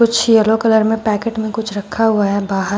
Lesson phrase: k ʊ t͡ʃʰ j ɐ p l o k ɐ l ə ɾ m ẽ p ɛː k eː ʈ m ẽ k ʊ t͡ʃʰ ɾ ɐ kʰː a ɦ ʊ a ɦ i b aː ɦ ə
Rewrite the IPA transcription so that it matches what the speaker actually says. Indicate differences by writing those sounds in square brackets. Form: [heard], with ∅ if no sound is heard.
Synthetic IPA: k ʊ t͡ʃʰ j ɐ [∅] l o k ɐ l ə ɾ m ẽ p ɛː k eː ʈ m ẽ k ʊ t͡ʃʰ ɾ ɐ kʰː a ɦ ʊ a ɦ [ɛ] b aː ɦ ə